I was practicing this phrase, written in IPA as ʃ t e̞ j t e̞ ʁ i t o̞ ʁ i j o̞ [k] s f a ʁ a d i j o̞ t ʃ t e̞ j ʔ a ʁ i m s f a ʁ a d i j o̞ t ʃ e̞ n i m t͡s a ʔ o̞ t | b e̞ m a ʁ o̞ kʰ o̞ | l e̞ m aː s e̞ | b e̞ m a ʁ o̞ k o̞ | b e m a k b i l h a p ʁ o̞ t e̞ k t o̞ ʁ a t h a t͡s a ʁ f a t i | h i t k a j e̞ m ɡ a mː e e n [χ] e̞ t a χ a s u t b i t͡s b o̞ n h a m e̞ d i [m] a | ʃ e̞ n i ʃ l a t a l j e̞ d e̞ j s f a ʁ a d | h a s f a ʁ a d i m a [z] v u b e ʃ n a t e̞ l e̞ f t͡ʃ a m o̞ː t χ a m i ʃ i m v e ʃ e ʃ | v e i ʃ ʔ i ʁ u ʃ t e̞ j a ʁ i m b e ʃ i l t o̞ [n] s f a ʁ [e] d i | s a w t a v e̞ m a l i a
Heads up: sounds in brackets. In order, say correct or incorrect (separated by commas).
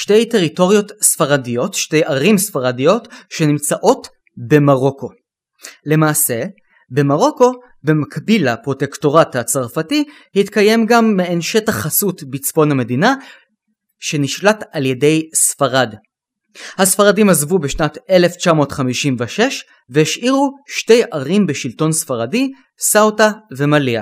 incorrect, incorrect, incorrect, correct, correct, incorrect